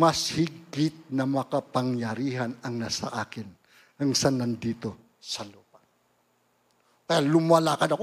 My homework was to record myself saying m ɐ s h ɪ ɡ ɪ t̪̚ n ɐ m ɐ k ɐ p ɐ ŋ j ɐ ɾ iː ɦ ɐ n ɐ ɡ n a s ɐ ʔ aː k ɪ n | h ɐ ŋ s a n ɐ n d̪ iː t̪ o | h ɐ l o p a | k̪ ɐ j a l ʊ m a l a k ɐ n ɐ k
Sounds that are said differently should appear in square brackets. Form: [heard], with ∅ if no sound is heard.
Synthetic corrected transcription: m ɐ s h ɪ ɡ ɪ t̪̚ n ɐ m ɐ k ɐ p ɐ ŋ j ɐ ɾ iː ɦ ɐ n ɐ [ŋ] n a s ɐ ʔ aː k ɪ n | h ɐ ŋ s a n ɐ n d̪ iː t̪ o | [s] ɐ l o p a | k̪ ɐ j a l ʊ m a l a k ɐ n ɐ k